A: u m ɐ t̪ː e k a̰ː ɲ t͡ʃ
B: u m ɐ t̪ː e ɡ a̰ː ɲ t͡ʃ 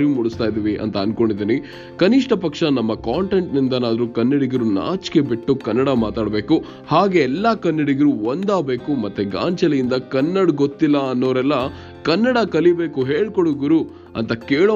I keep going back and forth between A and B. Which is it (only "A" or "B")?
B